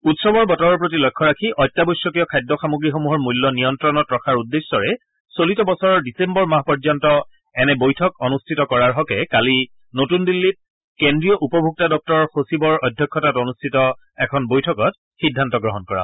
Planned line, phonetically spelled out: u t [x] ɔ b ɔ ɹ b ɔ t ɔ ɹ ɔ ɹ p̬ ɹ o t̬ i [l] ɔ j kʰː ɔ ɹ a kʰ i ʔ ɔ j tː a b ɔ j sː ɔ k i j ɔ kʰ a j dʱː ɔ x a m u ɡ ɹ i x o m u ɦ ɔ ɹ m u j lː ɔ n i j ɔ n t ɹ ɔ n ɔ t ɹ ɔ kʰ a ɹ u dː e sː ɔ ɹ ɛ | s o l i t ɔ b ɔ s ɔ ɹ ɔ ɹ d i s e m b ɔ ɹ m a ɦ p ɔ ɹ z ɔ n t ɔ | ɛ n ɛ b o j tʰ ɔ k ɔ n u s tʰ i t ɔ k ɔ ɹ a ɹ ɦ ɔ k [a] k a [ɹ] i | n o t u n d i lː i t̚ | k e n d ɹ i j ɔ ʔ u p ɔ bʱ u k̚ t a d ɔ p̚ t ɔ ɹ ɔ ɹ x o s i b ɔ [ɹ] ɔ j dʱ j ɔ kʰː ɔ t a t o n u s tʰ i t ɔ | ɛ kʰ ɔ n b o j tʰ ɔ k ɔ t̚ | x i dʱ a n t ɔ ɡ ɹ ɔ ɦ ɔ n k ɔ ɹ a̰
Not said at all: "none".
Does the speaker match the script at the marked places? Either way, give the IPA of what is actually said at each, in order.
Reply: s, l, ɛ, l, ɹ

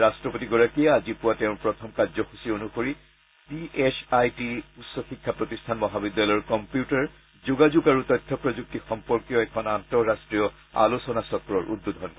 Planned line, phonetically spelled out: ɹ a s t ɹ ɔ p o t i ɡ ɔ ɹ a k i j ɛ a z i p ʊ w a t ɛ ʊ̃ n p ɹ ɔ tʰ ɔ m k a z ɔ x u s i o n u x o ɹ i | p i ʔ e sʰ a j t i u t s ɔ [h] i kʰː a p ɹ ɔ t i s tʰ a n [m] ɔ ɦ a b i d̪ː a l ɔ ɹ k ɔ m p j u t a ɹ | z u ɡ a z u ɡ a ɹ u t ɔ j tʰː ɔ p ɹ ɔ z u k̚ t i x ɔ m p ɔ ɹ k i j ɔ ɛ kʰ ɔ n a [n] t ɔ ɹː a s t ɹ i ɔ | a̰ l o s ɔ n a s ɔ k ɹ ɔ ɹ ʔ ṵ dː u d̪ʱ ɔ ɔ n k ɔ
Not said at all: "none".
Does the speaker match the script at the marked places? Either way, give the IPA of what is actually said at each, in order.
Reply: x, m, n

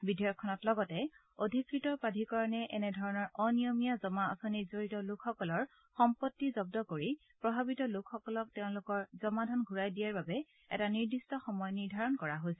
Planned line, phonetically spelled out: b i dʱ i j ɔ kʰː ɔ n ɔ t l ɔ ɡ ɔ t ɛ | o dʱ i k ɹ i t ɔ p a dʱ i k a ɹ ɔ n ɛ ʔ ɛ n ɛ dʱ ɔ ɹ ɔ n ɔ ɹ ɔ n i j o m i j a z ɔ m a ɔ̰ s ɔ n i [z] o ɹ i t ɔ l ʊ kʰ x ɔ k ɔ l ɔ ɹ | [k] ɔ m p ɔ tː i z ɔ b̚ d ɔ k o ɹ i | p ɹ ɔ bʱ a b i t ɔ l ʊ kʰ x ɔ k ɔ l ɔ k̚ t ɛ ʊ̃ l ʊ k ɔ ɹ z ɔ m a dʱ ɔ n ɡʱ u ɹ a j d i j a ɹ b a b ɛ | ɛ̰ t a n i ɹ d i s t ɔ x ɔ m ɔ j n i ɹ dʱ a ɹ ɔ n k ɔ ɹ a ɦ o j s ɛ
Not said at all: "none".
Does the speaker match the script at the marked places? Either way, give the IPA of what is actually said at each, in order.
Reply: z, x

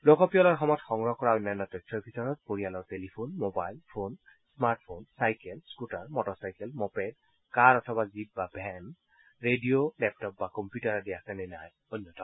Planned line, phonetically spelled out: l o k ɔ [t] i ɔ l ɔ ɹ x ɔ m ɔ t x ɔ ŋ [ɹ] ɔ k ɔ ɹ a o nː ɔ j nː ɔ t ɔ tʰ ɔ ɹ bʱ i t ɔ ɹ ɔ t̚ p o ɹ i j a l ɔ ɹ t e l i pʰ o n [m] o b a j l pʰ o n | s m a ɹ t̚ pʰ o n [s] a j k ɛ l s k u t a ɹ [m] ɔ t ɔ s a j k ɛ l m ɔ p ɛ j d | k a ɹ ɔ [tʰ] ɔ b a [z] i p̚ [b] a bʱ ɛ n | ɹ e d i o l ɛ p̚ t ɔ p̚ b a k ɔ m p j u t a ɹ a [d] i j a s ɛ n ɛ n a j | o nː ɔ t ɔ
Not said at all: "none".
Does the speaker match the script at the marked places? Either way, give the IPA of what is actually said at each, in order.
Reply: p, ɹ, m, s, m, tʰ, z, b, d

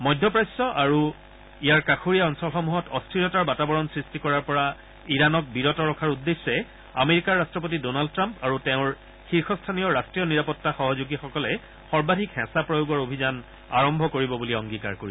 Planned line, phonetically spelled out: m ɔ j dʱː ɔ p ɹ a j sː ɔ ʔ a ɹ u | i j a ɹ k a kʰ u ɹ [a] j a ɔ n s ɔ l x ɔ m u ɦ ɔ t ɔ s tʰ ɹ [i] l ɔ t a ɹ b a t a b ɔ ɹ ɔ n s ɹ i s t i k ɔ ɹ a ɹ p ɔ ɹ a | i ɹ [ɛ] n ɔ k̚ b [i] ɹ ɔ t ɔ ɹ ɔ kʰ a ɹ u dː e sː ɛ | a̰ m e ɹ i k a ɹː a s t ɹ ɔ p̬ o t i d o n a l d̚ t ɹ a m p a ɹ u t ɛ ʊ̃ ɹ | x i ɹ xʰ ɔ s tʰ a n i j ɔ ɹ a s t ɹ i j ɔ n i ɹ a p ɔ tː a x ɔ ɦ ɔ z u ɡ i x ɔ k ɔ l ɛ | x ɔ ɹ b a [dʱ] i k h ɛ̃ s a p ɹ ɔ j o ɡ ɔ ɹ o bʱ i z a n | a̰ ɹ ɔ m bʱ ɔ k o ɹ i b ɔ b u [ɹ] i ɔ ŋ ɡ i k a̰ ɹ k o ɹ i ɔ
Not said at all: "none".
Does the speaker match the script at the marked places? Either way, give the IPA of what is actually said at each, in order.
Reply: i, i, a, i, dʱ, l

